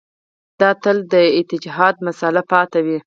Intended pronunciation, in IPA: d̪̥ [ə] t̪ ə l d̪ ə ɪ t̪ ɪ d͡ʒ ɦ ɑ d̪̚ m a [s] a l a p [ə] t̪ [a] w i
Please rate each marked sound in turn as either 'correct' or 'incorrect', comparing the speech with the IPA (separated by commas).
incorrect, correct, incorrect, correct